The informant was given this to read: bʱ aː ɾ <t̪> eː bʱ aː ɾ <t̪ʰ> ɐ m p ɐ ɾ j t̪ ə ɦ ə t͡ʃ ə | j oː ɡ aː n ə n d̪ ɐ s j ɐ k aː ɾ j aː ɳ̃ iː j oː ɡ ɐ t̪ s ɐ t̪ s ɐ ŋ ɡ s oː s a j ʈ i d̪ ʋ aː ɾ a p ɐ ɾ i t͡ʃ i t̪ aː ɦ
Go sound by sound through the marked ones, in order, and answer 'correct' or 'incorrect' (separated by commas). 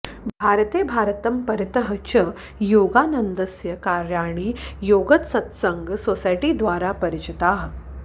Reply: correct, incorrect